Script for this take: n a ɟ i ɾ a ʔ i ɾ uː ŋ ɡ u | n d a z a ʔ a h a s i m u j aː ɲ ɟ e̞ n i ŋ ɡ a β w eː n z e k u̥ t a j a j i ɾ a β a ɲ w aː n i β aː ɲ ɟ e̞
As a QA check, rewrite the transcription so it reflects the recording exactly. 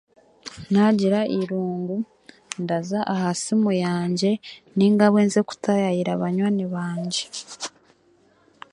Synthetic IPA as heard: n a ɟ i ɾ a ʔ i ɾ uː ŋ ɡ u | n d a z a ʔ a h a s i m u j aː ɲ ɟ e̞ n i ŋ ɡ a β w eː n z e k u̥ t a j a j i ɾ a β a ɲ w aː n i β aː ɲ ɟ e̞